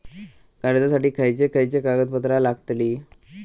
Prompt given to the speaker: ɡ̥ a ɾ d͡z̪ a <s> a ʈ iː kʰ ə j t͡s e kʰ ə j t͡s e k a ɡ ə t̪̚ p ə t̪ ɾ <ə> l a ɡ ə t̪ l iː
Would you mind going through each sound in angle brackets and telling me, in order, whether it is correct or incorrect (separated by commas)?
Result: correct, incorrect